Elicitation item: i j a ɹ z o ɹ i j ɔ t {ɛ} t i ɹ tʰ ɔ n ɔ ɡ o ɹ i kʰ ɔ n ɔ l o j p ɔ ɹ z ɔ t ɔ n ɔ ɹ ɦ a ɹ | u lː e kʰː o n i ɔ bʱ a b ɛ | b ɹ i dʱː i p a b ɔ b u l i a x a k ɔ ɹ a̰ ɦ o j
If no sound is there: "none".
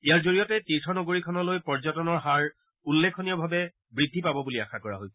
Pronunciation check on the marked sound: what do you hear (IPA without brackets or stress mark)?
ɛ